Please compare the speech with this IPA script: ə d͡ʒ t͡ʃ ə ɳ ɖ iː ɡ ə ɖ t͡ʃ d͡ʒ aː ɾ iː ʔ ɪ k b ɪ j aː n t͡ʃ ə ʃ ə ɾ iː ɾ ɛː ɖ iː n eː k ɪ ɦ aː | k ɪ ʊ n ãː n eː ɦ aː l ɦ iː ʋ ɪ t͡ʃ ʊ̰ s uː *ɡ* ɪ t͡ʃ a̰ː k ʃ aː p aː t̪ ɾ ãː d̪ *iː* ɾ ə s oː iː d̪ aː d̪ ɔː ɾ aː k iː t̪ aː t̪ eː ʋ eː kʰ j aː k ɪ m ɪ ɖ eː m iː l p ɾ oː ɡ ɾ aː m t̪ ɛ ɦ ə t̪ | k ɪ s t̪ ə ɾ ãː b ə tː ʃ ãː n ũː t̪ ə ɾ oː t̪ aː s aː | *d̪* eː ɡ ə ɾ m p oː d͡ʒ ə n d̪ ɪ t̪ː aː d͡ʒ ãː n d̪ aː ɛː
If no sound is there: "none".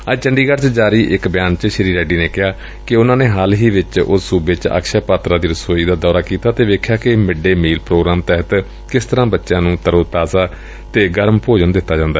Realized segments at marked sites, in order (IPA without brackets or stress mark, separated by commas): b, iː, t̪